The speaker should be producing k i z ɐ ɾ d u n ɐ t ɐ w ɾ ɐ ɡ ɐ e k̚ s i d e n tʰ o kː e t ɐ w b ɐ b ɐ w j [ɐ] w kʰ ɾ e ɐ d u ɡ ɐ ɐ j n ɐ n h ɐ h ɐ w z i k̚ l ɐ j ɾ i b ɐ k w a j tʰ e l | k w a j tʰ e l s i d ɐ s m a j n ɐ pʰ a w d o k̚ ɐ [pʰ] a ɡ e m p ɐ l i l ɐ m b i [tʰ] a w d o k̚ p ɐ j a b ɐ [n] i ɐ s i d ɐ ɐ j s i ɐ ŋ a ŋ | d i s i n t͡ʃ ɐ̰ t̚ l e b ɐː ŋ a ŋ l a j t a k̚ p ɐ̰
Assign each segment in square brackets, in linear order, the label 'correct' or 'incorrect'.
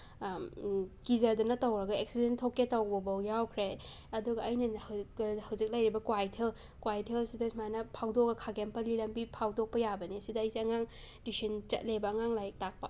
incorrect: a, incorrect: kʰ, incorrect: pʰ, correct

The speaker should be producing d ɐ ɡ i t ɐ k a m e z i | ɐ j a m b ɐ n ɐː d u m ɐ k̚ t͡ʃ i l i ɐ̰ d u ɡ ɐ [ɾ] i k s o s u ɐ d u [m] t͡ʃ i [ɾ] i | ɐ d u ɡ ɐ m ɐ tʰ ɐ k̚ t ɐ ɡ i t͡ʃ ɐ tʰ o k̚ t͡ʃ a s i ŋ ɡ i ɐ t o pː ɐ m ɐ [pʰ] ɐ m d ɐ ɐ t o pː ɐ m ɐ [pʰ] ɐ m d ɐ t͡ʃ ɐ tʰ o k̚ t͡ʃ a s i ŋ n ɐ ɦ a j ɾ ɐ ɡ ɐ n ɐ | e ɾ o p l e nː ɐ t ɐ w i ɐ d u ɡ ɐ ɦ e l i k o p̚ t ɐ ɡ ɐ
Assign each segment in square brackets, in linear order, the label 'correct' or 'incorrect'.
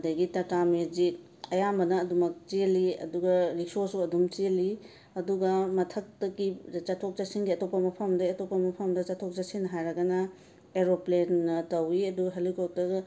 correct, correct, incorrect: l, correct, correct

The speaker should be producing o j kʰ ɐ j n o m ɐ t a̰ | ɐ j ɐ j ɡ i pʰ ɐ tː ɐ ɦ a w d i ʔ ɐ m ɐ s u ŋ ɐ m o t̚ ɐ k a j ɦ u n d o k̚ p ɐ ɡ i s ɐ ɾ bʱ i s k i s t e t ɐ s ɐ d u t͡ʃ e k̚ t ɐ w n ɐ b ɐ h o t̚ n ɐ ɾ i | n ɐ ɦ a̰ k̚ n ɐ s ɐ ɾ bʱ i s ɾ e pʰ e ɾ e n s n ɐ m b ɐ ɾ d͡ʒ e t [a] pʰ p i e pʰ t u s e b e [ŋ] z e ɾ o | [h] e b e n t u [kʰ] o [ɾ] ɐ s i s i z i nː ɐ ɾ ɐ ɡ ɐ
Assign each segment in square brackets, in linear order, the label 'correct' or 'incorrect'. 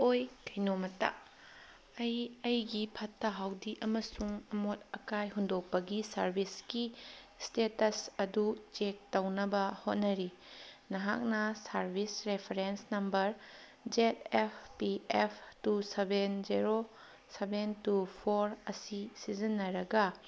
incorrect: e, incorrect: n, incorrect: s, incorrect: pʰ, correct

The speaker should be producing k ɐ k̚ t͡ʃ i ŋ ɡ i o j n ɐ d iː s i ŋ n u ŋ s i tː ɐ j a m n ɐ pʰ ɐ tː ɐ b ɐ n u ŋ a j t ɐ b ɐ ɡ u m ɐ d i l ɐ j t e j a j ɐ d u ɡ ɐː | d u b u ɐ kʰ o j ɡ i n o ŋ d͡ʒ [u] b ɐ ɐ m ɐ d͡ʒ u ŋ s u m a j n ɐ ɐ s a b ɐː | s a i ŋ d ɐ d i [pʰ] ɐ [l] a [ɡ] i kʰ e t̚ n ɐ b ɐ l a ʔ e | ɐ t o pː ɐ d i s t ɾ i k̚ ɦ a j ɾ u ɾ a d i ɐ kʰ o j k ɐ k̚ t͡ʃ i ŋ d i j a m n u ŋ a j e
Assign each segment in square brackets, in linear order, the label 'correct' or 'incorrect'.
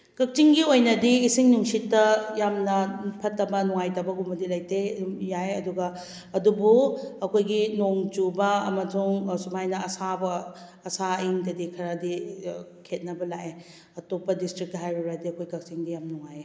correct, incorrect: kʰ, incorrect: ɾ, incorrect: d

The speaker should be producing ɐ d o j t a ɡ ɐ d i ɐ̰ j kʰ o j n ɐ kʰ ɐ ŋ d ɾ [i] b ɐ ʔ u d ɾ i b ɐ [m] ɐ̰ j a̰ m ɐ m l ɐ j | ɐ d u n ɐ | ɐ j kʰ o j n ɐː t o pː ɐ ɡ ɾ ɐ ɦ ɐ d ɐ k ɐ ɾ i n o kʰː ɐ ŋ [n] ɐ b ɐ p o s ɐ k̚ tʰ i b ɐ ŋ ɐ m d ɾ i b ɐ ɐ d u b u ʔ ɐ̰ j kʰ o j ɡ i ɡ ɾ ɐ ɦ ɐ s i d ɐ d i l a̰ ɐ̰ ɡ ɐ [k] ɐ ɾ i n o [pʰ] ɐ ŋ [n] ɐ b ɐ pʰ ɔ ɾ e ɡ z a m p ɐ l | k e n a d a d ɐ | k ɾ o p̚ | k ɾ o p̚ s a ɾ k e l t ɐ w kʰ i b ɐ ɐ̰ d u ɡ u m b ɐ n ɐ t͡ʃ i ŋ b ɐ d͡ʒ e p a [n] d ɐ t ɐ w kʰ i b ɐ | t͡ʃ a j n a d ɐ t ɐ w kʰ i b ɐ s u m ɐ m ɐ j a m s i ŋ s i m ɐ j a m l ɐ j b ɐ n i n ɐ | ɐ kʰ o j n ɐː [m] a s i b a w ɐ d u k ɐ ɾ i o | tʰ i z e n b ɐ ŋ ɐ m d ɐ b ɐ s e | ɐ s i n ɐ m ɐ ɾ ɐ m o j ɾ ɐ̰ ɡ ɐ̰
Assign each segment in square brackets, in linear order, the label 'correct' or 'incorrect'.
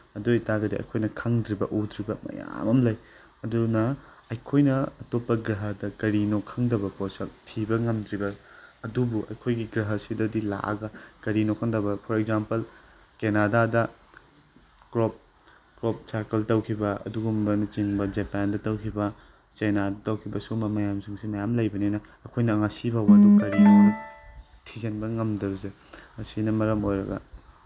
correct, correct, incorrect: d, correct, incorrect: kʰ, incorrect: d, correct, incorrect: ŋ

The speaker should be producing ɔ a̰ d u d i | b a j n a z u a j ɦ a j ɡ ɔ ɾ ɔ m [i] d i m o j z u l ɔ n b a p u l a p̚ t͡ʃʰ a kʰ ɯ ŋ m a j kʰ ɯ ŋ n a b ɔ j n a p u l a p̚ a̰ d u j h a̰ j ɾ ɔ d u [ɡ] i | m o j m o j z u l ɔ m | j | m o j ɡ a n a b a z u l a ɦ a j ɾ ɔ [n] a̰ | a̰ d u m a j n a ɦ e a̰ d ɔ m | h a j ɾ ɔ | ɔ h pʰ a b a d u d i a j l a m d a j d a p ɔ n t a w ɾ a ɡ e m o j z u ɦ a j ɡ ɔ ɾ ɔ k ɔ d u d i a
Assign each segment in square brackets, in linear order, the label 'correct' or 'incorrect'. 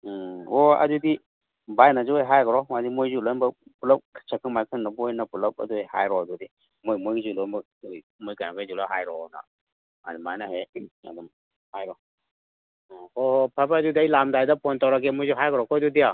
incorrect: a, incorrect: d, correct

